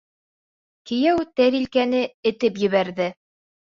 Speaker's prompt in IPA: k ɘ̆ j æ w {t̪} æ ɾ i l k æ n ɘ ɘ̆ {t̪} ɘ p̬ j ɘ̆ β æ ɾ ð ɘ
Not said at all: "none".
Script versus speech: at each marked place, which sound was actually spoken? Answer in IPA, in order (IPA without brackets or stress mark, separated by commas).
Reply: t̪, t̪